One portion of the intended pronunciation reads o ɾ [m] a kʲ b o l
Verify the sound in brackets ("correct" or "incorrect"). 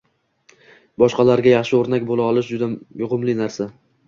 incorrect